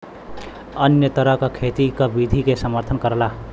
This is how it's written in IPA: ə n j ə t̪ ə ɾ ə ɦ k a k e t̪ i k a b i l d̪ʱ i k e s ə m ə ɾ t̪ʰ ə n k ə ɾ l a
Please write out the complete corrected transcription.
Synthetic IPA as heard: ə n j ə t̪ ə ɾ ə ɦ k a kʰ e t̪ i k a b i d̪ʱ i k e s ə m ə ɾ t̪ʰ ə n k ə ɾ l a